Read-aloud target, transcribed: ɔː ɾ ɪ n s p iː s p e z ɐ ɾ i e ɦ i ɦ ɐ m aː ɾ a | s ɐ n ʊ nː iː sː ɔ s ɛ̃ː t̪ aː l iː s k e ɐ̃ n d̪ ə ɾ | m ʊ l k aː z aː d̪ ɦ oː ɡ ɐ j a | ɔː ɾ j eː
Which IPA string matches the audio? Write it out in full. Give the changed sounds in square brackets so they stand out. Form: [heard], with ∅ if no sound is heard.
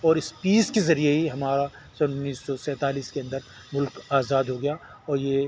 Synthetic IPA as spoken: ɔː ɾ ɪ [∅] s p iː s [k] e z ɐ ɾ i e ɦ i ɦ ɐ m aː ɾ a | s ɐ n ʊ nː iː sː ɔ s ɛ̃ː t̪ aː l iː s k e ɐ̃ n d̪ ə ɾ | m ʊ l k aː z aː d̪ ɦ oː ɡ ɐ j a | ɔː ɾ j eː